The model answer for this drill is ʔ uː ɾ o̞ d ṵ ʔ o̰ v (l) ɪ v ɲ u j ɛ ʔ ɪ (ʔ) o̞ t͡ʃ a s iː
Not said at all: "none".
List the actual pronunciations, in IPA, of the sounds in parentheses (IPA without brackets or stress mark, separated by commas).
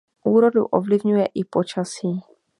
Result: l, p